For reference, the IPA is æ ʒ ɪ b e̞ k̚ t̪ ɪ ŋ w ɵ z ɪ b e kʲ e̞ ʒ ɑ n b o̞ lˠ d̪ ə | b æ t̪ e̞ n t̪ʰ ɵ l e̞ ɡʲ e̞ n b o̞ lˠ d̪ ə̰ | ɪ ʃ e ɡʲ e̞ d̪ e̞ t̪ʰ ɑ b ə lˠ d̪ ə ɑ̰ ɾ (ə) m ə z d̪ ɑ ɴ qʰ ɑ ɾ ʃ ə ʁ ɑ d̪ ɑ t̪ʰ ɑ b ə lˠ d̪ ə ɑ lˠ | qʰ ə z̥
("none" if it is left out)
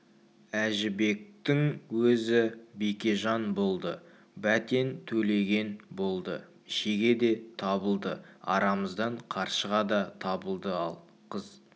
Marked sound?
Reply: ɑ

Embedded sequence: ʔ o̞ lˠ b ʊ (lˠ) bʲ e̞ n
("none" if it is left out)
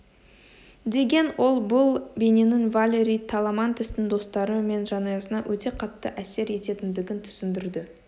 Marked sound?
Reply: lˠ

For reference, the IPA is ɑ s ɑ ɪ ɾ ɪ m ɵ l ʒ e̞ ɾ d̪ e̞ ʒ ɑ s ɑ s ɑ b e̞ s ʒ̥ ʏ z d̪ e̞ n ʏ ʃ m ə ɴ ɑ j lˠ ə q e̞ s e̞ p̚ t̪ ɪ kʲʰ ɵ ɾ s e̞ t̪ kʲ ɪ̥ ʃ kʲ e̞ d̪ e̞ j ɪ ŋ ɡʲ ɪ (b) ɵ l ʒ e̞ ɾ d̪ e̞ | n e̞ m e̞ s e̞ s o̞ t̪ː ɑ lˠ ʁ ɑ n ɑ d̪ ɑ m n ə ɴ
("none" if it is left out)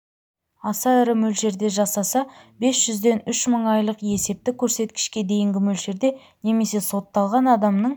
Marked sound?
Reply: m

